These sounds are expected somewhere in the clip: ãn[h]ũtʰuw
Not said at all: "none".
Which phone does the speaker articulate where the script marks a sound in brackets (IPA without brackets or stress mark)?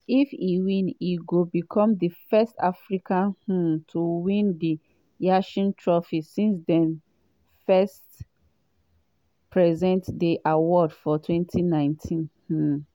h